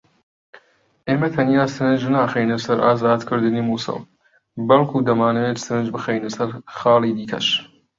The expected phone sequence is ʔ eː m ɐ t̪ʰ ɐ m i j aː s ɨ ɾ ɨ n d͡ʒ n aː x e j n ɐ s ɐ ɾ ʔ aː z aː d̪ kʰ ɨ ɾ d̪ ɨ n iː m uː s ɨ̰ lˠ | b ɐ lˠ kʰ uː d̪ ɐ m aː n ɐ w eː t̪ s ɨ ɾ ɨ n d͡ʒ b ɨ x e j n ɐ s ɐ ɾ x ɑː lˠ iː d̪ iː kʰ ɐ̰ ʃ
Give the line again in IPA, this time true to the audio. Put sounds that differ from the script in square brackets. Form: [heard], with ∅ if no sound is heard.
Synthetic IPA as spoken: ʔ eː m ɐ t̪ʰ ɐ [n] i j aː s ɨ ɾ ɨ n d͡ʒ n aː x e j n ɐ s ɐ ɾ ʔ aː z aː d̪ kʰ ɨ ɾ d̪ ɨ n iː m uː s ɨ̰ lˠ | b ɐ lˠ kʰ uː d̪ ɐ m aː n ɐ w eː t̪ s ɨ ɾ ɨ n d͡ʒ b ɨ x e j n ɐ s ɐ ɾ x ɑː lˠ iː d̪ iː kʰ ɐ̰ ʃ